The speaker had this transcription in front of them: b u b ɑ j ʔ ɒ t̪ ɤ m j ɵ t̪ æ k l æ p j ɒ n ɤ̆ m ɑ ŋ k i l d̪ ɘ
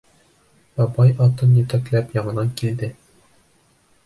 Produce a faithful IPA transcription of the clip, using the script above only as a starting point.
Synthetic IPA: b ɒ b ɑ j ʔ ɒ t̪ ɤ n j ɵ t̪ æ k l æ p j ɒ ɴ ɤ̆ n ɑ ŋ k i l d̪ ɘ